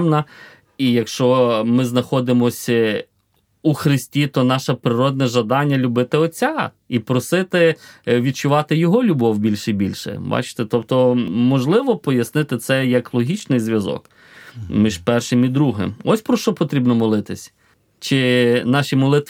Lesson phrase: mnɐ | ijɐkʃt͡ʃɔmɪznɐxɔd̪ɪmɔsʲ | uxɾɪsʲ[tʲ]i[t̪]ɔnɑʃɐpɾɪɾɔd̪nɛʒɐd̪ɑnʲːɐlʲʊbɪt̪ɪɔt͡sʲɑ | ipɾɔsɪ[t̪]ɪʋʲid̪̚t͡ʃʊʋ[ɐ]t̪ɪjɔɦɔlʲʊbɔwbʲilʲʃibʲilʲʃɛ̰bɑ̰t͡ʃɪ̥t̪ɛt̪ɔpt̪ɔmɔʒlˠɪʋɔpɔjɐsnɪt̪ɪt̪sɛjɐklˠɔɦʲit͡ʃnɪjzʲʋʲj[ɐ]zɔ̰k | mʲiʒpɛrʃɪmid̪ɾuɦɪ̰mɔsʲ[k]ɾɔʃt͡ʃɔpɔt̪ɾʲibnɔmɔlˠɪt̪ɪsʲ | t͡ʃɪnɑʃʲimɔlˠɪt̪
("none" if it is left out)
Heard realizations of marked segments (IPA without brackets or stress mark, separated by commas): tʲ, t̪, t̪, ɑ, ɐ, p